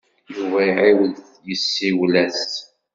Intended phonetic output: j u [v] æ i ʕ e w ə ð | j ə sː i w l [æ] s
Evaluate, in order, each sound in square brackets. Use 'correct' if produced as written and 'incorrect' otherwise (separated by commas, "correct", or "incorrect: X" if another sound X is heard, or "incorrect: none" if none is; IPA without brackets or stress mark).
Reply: correct, correct